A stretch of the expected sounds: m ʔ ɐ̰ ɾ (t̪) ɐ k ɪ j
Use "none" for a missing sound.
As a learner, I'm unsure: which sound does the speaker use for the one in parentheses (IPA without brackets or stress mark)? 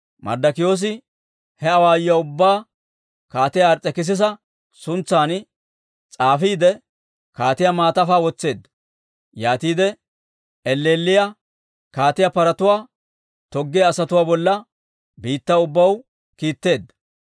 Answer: d̪